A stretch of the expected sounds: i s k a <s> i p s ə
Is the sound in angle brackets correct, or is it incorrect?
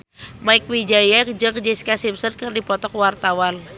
correct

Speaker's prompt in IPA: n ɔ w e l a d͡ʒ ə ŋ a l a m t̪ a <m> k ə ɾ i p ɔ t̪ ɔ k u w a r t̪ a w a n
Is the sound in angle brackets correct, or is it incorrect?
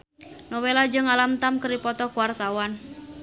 correct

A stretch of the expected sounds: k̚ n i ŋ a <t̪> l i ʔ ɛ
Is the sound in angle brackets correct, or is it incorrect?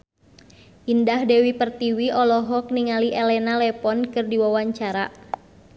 incorrect: none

